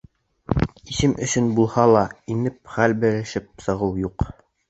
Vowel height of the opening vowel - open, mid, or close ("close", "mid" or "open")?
close